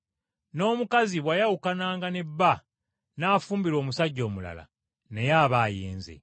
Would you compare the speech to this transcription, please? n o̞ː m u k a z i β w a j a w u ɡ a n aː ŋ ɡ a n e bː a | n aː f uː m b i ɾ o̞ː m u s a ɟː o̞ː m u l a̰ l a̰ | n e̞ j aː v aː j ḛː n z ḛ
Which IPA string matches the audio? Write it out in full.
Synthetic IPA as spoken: n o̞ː m u k a z i β w a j a w u k a n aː ŋ ɡ a n e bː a | n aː f uː m b i ɾ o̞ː m u s a ɟː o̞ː m u l a̰ l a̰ | n e̞ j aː β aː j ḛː n z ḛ

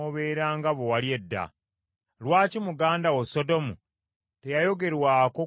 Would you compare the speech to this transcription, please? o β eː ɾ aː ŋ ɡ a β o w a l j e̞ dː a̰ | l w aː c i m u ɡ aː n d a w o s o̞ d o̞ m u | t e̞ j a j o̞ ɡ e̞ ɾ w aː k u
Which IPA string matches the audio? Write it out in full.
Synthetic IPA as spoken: o β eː ɾ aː ŋ ɡ a β o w a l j e̞ dː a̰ | l w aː c i m u ɡ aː n d a w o s o̞ d o̞ m u | t e̞ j a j o̞ ɡ e̞ ɾ w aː k o

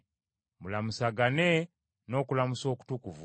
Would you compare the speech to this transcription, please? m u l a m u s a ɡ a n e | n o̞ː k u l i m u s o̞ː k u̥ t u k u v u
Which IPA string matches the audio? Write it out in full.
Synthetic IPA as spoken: m u l a m u s a ɡ a n e | n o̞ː k u l a m u s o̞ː k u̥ t u k u v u

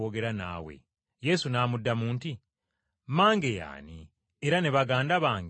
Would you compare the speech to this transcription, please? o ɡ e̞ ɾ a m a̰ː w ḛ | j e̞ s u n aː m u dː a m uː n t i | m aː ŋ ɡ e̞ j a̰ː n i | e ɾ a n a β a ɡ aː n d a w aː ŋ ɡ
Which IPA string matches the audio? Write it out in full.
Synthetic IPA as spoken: o ɡ e̞ ɾ a n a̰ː w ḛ | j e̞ s u n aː m u dː a m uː n t i | m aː ŋ ɡ e̞ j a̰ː n i | e ɾ a n e β a ɡ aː n d a β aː ŋ ɡ

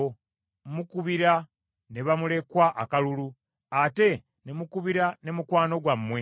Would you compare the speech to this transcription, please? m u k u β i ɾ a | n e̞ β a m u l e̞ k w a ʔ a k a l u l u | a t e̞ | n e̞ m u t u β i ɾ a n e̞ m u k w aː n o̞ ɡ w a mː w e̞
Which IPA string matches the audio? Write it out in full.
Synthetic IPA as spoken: m u k u β i ɾ a | n e̞ β a m u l e̞ k w a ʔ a k a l u l u | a t e̞ | n e̞ m u k u β i ɾ a n e̞ m u k w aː n o̞ ɡ w a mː w e̞

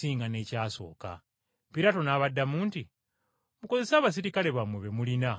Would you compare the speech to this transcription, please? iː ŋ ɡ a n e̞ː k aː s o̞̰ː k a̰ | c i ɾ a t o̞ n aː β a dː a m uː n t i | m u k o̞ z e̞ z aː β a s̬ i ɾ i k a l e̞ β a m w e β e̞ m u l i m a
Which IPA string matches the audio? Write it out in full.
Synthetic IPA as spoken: iː ŋ ɡ a n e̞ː c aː s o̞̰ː k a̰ | p i ɾ a t o̞ n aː β a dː a m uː n t i | m u k o̞ z e̞ s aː β a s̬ i ɾ i k a l e̞ β a m w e β e̞ m u l i n a

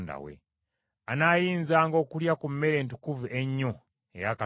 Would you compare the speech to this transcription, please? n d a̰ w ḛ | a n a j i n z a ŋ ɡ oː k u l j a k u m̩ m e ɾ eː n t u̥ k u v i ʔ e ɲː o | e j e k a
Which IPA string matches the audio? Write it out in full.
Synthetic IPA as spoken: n d a̰ w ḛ | a n a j i n z a ŋ ɡ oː k u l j a k u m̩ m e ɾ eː n t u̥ k u v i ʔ e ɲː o | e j a k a

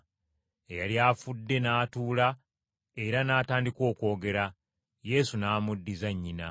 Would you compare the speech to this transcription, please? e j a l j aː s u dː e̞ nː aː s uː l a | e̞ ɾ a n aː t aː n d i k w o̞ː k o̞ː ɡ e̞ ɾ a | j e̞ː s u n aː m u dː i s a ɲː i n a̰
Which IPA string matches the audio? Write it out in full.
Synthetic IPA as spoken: e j a l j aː f u dː e̞ n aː t uː l a | e̞ ɾ a n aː t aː n d i k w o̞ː k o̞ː ɡ e̞ ɾ a | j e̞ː s u n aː m u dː i z a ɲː i n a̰

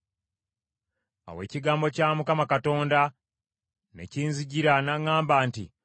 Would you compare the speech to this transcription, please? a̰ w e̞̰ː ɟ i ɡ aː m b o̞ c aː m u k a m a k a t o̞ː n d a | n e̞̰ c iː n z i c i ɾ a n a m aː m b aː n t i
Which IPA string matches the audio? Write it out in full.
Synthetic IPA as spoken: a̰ w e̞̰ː c i ɡ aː m b o̞ c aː m u k a m a k a t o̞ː n d a | n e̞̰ c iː n z i ɟ i ɾ a n a ŋ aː m b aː n t i

